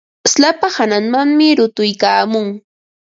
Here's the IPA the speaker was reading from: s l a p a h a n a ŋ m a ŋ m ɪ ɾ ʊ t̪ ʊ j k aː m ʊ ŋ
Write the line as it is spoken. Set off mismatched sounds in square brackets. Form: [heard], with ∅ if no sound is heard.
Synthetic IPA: s l a p a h a n a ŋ m a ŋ m ɪ ɾ ʊ t̪ ʊ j k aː m ʊ ŋ